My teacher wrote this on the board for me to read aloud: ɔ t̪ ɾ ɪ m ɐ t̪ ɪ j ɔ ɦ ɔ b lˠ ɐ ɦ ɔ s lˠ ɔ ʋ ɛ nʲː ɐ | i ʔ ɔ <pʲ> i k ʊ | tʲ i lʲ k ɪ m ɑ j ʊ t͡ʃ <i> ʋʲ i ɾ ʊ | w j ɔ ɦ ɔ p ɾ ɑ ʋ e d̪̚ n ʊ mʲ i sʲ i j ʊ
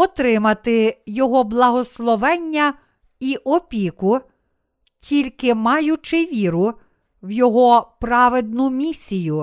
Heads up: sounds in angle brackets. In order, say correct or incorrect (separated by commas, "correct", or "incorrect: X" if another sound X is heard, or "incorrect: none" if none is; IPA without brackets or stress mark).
correct, incorrect: ɪ